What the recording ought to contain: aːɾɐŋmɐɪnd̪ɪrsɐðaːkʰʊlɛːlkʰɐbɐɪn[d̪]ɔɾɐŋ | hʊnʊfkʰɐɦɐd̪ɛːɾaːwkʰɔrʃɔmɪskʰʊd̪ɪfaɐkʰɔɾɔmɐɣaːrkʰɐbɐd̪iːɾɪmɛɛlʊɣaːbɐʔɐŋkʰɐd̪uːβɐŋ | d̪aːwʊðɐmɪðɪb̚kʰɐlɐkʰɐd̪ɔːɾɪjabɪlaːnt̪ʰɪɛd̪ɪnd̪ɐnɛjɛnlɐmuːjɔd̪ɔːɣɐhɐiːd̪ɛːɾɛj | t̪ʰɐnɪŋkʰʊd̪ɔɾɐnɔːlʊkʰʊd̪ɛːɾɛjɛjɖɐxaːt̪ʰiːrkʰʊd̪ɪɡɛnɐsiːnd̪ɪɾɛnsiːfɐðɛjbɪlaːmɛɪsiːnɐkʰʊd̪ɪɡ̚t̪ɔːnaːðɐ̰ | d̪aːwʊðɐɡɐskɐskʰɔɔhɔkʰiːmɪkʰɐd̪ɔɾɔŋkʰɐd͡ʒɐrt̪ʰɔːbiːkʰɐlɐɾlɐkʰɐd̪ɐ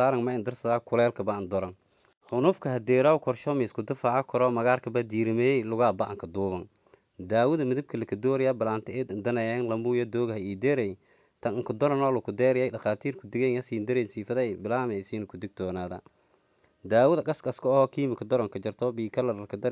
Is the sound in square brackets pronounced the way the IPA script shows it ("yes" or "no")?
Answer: yes